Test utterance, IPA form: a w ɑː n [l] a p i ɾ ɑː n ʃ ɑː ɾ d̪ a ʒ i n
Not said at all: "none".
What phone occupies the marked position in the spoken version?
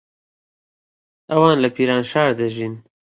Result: l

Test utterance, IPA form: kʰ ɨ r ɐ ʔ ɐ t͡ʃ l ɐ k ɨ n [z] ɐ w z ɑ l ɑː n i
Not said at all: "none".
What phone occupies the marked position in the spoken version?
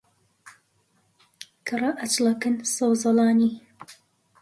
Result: s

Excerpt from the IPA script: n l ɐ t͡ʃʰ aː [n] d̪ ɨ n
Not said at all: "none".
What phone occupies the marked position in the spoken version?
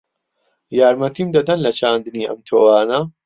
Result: n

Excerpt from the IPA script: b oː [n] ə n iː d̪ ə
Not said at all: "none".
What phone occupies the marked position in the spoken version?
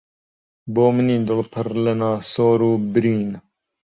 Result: m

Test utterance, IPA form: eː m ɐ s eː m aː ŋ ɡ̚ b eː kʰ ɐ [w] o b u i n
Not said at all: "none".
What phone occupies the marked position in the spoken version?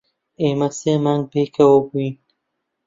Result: w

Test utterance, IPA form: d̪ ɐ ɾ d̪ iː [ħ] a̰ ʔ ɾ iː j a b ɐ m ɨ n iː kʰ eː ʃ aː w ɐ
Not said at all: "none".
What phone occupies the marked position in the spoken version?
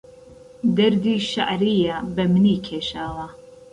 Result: ʃ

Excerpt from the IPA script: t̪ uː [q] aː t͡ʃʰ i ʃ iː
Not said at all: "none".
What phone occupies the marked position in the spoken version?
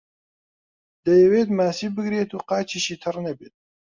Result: q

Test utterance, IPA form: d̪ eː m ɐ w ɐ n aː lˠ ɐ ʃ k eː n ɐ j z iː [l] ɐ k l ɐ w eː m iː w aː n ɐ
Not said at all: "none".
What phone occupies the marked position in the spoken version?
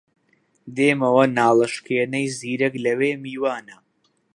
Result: ɾ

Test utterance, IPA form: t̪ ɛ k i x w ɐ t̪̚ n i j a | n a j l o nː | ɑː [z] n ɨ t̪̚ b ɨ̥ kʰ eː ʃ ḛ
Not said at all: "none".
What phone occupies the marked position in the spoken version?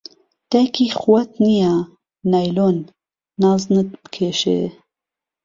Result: z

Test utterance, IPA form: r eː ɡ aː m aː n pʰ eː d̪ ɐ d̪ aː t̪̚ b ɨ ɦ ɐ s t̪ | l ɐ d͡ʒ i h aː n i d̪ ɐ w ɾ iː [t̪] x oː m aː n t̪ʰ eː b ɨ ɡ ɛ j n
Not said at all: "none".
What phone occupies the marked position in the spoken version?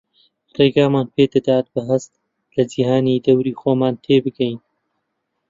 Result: none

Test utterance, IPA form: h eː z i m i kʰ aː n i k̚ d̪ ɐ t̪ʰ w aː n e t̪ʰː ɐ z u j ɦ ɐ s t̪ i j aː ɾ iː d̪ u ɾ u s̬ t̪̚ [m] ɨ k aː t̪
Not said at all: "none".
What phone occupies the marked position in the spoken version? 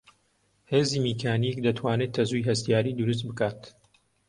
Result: b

